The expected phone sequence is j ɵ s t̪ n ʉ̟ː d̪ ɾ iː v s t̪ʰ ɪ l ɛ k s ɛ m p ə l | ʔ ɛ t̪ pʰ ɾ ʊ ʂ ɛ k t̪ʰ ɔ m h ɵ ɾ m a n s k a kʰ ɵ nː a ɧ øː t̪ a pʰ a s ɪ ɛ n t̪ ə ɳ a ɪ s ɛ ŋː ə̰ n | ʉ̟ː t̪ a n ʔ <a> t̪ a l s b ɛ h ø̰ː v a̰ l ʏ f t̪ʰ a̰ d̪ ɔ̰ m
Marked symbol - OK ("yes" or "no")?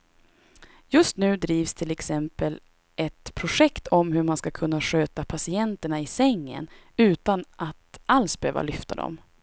yes